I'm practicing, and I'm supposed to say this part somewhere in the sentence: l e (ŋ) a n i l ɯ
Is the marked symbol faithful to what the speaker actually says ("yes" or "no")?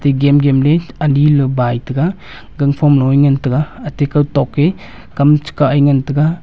no